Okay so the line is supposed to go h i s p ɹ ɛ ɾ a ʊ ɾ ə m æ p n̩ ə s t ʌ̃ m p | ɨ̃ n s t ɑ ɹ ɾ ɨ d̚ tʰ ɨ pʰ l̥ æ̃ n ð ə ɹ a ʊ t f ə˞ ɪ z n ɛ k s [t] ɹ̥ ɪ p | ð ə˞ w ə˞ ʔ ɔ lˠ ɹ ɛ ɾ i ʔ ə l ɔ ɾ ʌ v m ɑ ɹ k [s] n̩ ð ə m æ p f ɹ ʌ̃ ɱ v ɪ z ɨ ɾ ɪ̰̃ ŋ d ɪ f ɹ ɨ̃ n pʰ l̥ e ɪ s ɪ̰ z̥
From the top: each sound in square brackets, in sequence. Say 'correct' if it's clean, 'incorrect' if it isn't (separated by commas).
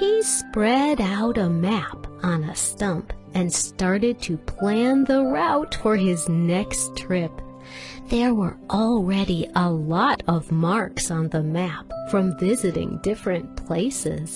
incorrect, correct